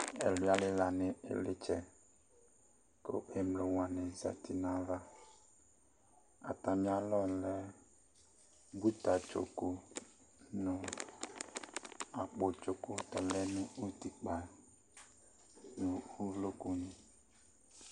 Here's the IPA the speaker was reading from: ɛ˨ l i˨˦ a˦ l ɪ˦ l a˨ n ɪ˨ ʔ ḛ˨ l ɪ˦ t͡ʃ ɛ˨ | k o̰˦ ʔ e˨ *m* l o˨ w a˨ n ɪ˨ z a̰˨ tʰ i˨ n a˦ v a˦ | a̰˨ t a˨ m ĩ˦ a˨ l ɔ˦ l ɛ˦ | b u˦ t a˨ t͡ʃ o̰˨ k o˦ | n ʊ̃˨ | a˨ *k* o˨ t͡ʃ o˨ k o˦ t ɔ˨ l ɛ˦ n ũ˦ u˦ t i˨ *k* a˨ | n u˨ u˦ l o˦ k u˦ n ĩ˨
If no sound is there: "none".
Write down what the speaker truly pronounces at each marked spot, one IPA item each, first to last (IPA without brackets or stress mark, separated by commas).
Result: m, k͡p, k͡p